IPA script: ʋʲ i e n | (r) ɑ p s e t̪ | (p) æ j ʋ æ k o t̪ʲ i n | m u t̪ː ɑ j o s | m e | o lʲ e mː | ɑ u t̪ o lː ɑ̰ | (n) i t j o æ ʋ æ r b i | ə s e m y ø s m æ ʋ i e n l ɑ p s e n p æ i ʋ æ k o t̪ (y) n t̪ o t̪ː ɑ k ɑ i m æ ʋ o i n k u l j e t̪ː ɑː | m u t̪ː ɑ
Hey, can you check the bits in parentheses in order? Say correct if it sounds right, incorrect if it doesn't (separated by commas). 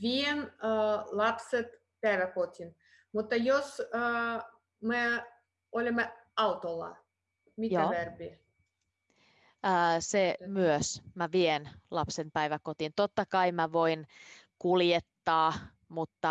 incorrect, correct, incorrect, incorrect